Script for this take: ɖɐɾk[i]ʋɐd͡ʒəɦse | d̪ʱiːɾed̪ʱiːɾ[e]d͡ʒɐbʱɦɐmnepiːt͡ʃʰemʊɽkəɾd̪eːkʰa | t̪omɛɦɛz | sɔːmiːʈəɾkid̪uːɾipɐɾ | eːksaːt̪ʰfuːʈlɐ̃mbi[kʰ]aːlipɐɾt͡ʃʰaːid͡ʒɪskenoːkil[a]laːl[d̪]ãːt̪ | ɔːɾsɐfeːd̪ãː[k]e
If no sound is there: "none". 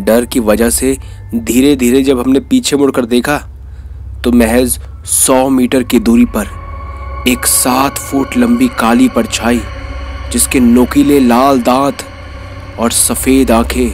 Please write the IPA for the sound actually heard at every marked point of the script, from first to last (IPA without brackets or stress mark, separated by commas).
i, e, k, e, d̪, kʰ